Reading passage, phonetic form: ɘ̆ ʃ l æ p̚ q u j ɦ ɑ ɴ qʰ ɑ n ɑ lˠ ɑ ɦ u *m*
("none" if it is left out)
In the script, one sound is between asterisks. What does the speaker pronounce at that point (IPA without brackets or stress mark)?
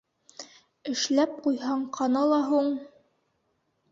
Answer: ɴ